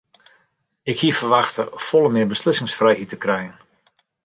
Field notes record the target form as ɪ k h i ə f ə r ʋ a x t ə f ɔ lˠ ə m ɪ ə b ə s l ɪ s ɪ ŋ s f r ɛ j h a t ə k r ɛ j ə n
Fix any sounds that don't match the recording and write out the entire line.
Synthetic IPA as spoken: ɪ k h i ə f ə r ʋ a x t ə f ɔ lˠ ə m ɪ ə b ə s l ɪ s ɪ ŋ s f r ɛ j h i t ə k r ɛ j ə n